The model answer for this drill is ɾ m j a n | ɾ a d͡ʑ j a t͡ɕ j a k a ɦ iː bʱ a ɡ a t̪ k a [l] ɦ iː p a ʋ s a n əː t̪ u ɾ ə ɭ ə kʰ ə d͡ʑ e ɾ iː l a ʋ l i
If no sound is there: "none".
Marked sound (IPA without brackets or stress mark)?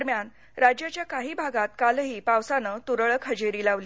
l